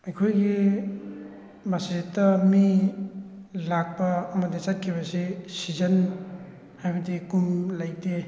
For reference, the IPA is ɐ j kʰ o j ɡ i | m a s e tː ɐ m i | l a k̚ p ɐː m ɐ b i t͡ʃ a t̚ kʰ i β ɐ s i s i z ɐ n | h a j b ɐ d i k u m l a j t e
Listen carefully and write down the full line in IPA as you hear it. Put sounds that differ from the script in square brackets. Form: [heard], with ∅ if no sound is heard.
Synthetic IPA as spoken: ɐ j kʰ o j ɡ i | m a s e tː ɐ m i | l a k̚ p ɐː m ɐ [d] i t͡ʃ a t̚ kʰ i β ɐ s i s i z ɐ n | h a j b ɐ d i k u m l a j t e

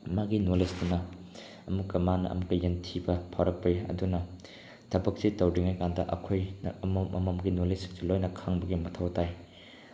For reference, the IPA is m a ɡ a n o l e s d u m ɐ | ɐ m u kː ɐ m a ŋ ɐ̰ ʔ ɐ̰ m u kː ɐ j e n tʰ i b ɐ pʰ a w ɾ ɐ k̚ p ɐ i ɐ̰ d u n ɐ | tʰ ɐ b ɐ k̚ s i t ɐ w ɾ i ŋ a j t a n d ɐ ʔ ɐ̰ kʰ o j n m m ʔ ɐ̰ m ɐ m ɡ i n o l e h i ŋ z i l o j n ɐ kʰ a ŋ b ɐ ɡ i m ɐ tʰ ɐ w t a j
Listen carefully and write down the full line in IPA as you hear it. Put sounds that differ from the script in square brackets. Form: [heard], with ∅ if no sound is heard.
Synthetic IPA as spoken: m a ɡ [i] n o l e s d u [n] ɐ | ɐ m u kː ɐ m a [n] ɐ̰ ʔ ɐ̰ m u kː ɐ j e n tʰ i b ɐ pʰ a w ɾ ɐ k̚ p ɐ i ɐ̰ d u n ɐ | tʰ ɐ b ɐ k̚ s i t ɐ w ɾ i ŋ a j [k] a n d ɐ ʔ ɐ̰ kʰ o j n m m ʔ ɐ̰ m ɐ m ɡ i n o l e [s] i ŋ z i l o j n ɐ kʰ a ŋ b ɐ ɡ i m ɐ tʰ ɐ w t a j

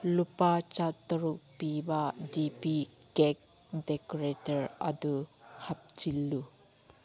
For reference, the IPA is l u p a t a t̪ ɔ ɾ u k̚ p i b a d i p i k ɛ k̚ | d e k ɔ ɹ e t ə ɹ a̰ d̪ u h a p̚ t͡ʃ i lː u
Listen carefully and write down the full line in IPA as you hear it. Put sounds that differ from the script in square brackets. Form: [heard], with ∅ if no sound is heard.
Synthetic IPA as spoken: l u p a [t͡ʃ] a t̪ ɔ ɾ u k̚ p i b a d i p i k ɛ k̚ | d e k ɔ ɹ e t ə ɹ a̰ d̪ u h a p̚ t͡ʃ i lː u

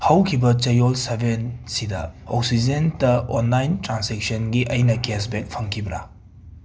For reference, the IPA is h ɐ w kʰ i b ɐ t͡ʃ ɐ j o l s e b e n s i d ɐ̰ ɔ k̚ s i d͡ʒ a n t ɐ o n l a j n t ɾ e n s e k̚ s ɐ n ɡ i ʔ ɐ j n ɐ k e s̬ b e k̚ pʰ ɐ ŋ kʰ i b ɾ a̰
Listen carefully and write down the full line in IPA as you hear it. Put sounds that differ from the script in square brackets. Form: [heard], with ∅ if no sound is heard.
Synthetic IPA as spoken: h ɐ w kʰ i b ɐ t͡ʃ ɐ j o l s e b e n s i d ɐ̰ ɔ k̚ s i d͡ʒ [e] n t ɐ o n l a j n t ɾ [a] n s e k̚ s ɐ n ɡ i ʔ ɐ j n ɐ k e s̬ b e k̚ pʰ ɐ ŋ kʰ i b ɾ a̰

